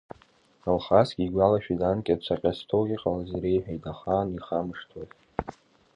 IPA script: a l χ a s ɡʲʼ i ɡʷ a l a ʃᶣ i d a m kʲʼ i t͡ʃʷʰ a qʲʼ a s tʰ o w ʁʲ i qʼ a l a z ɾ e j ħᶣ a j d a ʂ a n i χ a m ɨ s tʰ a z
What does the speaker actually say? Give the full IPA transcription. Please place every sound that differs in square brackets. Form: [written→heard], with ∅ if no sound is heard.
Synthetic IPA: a l χ a s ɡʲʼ i ɡʷ a l a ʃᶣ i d a [m→n] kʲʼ [i→a] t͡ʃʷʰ a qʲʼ a s tʰ o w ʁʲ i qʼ a l a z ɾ e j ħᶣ a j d a [ʂ→χ] a n i χ a m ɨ [s→ʂ] tʰ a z